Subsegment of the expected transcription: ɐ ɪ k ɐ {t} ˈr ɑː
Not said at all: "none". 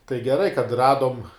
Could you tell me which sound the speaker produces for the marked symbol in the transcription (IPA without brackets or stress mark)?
t